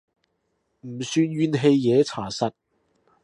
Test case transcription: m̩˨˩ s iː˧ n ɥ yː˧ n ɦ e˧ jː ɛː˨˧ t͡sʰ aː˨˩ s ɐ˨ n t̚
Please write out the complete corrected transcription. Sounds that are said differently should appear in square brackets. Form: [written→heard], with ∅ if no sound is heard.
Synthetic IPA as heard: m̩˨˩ s [iː˧→yː˧] n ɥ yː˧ n ɦ e˧ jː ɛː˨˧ t͡sʰ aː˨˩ s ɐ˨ [n→∅] t̚